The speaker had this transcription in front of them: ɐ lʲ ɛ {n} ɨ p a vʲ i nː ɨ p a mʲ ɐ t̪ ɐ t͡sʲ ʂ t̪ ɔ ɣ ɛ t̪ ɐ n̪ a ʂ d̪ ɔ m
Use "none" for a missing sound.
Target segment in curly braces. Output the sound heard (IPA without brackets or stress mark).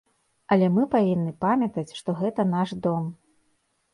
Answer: m